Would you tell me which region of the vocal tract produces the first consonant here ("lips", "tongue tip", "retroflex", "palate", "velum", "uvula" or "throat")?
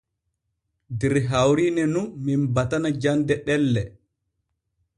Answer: tongue tip